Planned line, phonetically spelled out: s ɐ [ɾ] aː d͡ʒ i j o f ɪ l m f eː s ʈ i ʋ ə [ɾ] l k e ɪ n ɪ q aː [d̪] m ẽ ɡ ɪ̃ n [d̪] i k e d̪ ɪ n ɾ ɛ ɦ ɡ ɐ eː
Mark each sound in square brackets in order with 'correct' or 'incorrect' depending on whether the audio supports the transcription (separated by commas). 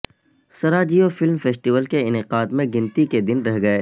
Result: correct, incorrect, correct, incorrect